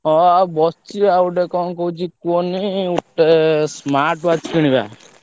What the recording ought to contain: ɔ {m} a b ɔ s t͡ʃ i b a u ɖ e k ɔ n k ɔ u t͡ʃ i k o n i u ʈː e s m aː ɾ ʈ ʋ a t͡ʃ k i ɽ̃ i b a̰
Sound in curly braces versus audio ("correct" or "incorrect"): incorrect